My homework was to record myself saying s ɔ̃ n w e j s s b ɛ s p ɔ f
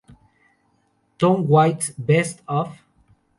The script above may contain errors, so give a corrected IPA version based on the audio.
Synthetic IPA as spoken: t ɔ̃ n w a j t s b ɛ s t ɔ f